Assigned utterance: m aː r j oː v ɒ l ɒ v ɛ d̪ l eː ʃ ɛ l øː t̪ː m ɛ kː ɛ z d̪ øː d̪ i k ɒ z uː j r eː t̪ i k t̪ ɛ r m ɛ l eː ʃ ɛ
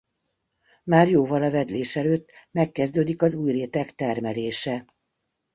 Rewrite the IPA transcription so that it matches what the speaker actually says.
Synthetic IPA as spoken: m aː r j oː v ɒ l ɒ v ɛ d̪ l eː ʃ ɛ l øː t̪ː m ɛ kː ɛ z d̪ øː d̪ i k ɒ z uː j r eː t̪ ɛ k t̪ ɛ r m ɛ l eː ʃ ɛ